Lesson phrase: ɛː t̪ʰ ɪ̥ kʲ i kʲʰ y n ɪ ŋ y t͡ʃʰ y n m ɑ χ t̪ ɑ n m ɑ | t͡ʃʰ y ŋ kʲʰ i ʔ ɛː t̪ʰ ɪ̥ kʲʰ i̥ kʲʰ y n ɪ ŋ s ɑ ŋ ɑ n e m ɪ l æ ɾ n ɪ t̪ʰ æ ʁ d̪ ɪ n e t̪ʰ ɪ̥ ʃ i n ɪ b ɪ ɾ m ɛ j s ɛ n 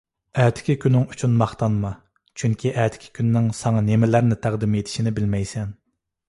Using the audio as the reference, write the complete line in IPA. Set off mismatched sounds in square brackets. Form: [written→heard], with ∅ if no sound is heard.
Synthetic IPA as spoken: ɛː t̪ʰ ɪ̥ kʲ i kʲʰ y n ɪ ŋ y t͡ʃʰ y n m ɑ χ t̪ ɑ n m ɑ | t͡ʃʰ y ŋ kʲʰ i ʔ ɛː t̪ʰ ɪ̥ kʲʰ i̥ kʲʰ y [n→nː] ɪ ŋ s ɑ ŋ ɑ n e m ɪ l æ ɾ n ɪ t̪ʰ æ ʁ d̪ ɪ [n→m] e t̪ʰ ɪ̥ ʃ i n ɪ b ɪ [ɾ→l] m ɛ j s ɛ n

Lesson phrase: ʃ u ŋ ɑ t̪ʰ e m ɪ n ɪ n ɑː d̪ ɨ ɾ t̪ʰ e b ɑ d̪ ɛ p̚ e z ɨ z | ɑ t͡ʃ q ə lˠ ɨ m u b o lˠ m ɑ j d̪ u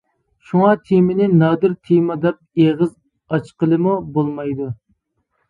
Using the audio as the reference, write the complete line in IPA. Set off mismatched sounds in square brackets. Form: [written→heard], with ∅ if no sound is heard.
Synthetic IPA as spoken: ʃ u ŋ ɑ t̪ʰ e m ɪ n ɪ n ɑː d̪ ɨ ɾ t̪ʰ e [b→m] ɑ d̪ ɛ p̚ e [z→ʁ] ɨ z | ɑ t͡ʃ q ə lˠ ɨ m u b o lˠ m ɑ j d̪ u

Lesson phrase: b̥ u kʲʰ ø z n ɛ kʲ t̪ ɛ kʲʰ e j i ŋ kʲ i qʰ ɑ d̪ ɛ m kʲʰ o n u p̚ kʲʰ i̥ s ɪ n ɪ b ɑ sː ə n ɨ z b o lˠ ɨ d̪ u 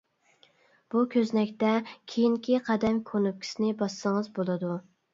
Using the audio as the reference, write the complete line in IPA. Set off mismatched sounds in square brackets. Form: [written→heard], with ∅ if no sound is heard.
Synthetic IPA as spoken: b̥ u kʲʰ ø z n ɛ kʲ t̪ ɛ kʲʰ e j i ŋ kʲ i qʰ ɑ d̪ ɛ m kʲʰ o n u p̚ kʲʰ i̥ s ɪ n ɪ b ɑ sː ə [n→ŋ] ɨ z b o lˠ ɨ d̪ u

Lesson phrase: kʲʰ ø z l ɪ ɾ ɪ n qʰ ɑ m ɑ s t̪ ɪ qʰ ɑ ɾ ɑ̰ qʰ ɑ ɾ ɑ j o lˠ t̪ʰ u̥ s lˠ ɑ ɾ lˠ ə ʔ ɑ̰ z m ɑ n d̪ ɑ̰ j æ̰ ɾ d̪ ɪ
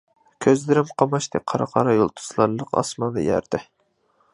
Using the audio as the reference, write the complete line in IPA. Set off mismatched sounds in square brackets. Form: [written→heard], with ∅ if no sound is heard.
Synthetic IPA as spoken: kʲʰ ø z l ɪ ɾ ɪ [n→m] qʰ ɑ m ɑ [s→ʃ] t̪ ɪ qʰ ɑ ɾ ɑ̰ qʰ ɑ ɾ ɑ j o lˠ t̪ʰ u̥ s lˠ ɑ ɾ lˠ ə [ʔ→q] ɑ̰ [z→s] m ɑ n d̪ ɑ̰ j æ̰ ɾ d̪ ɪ

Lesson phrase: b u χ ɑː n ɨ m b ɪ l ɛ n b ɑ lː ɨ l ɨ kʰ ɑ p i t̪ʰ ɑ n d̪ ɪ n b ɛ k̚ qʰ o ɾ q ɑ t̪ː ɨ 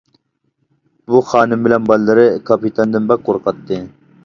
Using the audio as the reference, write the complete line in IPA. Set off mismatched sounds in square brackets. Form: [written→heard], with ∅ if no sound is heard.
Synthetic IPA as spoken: b u χ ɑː n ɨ m b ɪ l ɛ n b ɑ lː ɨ [l→ɾ] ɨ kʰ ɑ p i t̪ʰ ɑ n d̪ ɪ n b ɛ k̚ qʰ o ɾ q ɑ t̪ː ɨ

